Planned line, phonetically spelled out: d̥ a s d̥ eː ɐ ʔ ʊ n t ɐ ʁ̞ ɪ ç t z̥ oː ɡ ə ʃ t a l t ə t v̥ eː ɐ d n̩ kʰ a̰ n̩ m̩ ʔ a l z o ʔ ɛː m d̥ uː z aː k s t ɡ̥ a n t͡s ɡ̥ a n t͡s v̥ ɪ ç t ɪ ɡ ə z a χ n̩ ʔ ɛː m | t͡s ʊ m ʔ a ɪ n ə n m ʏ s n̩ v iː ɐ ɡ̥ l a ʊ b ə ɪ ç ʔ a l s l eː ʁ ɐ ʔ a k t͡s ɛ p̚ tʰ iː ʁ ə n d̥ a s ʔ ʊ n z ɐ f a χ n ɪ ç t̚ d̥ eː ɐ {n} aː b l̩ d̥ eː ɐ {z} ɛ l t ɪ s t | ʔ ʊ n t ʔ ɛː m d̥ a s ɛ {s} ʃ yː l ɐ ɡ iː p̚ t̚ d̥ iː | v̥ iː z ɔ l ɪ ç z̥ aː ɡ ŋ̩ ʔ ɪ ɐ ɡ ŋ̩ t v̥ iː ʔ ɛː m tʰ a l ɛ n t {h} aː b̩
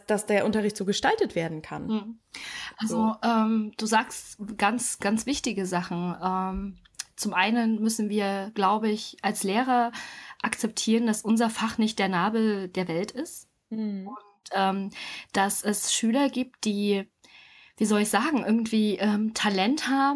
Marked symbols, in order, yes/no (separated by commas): yes, no, yes, yes